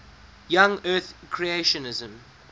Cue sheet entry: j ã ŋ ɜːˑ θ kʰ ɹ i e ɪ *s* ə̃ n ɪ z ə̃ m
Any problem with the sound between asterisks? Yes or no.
yes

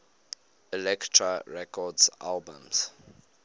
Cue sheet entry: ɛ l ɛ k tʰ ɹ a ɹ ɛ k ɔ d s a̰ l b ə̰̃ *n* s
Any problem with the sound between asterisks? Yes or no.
yes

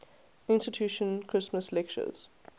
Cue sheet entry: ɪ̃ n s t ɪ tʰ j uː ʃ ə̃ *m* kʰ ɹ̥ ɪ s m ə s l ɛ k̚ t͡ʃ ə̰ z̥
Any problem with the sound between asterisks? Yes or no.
yes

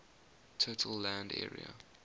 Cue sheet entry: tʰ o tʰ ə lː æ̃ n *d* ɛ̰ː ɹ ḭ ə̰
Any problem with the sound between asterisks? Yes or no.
no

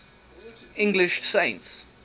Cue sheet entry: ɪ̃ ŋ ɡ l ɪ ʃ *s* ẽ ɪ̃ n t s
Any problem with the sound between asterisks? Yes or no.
no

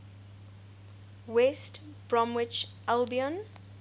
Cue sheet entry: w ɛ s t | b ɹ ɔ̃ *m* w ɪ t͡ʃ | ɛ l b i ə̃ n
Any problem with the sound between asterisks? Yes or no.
no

